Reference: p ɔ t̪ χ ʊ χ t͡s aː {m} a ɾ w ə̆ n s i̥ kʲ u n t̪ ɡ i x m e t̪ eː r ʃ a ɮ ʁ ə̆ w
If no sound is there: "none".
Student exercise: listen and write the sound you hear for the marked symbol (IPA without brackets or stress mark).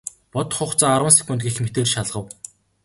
none